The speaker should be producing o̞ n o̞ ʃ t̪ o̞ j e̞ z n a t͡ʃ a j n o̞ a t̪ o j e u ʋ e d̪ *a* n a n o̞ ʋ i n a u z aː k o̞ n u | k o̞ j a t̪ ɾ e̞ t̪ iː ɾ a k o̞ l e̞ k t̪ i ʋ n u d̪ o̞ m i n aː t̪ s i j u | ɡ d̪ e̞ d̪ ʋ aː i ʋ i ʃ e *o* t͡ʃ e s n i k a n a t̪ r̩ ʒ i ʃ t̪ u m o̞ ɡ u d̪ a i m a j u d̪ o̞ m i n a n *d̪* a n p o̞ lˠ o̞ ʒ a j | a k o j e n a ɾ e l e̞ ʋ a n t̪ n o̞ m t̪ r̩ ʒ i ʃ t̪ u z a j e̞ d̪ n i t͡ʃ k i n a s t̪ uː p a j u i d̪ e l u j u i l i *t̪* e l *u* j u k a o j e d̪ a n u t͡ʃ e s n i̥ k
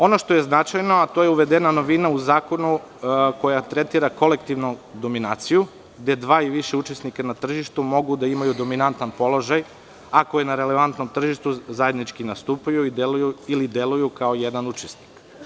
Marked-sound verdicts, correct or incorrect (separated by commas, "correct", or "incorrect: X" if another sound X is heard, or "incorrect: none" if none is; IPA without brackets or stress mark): incorrect: e, incorrect: u, incorrect: t̪, incorrect: d̪, correct